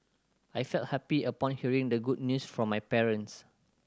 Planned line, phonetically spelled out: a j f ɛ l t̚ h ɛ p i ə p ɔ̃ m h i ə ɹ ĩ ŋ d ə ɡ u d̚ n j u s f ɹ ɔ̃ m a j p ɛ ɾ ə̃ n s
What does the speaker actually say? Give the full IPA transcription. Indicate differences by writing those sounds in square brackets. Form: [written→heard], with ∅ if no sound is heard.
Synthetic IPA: a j f ɛ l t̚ h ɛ p i ə p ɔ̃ [m→n] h i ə ɹ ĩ ŋ d ə ɡ u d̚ n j u s f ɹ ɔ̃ m a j p ɛ [ɾ→ɹ] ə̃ n s